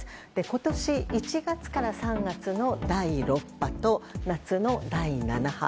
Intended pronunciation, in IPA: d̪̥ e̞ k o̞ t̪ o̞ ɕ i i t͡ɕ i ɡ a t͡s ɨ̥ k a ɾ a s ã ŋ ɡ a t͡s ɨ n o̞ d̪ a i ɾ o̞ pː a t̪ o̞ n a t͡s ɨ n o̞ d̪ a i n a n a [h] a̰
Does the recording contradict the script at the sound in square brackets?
no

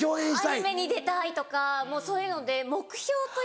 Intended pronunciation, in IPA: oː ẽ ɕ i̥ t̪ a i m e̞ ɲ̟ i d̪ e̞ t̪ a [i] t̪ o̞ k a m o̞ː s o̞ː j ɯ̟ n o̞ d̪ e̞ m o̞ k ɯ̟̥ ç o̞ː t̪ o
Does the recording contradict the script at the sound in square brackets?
no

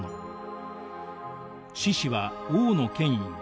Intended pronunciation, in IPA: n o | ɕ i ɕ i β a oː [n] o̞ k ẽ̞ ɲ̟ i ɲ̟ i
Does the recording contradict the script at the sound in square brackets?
no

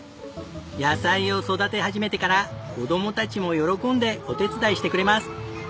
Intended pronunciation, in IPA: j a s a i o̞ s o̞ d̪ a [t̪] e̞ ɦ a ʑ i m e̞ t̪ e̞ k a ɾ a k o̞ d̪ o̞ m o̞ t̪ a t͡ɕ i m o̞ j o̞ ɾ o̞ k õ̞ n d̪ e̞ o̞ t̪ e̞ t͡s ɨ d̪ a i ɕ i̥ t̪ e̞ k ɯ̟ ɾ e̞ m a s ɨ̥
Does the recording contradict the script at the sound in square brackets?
no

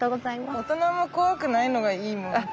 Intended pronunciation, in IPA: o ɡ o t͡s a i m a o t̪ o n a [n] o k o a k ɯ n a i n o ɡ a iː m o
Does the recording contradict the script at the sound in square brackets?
yes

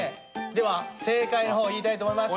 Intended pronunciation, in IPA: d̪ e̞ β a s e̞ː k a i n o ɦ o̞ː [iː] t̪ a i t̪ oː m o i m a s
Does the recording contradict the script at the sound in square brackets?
no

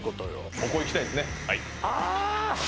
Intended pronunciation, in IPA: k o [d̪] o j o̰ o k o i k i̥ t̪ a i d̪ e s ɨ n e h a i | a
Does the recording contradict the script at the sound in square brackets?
yes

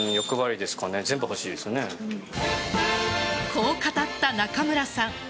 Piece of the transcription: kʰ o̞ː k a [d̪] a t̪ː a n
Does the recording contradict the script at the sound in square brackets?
yes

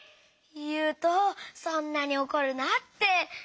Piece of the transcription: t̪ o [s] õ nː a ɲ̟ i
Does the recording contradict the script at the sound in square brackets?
no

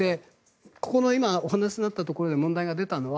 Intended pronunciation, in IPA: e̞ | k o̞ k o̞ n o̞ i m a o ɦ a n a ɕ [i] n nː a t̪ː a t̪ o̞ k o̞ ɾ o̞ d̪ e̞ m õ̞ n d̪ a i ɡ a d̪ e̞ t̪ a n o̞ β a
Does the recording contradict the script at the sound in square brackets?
no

